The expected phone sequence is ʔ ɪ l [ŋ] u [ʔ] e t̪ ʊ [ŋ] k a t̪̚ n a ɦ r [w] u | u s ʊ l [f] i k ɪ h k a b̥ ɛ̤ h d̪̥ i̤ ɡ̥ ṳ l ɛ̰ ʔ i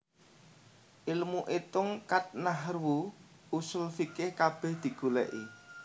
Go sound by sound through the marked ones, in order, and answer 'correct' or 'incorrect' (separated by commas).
incorrect, correct, correct, correct, correct